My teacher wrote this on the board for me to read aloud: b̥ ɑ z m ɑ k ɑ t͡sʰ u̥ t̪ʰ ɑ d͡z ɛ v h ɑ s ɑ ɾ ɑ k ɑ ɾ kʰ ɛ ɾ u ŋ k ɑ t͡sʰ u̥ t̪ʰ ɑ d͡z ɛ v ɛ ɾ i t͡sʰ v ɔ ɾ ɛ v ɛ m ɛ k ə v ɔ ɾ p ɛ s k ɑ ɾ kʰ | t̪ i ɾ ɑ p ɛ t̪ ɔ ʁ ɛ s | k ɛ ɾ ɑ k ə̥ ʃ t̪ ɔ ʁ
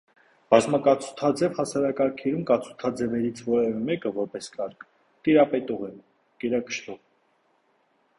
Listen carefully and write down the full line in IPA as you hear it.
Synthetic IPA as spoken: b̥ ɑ z m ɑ k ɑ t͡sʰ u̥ t̪ʰ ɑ d͡z ɛ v h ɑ s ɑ ɾ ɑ k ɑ ɾ kʰ ɛ ɾ u m k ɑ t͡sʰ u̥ t̪ʰ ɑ d͡z ɛ v ɛ ɾ i t͡sʰ v ɔ ɾ ɛ v ɛ m ɛ k ə v ɔ ɾ p ɛ s k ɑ ɾ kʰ | t̪ i ɾ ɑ p ɛ t̪ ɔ ʁ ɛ | k ɛ ɾ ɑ k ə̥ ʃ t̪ ɔ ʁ